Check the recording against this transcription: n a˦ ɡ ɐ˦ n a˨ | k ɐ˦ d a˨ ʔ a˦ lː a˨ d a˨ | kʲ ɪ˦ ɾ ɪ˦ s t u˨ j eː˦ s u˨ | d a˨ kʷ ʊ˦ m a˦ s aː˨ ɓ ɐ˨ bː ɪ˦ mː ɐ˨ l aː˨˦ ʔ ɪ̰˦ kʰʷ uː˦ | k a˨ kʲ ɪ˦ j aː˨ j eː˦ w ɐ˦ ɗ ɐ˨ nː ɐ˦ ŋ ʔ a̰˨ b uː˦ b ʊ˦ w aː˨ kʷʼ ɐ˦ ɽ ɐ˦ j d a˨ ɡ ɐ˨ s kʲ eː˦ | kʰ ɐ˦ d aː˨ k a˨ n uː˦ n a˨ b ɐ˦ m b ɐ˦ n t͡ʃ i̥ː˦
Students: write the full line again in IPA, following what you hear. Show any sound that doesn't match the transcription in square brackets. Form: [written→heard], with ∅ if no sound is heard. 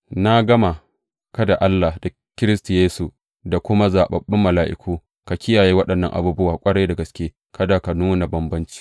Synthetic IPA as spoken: n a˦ ɡ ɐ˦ [n→m] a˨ | k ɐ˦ d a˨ ʔ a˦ lː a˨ d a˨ | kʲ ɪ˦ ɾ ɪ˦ s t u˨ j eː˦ s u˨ | d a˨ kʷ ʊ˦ m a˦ [s→z] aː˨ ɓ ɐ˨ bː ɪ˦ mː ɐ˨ l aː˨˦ ʔ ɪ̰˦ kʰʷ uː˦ | k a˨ kʲ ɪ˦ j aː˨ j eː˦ w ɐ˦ ɗ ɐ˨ nː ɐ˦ ŋ ʔ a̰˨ b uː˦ b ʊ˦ w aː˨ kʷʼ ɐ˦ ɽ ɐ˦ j d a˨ ɡ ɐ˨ s kʲ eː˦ | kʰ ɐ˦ d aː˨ k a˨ n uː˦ n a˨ b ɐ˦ m b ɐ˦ n t͡ʃ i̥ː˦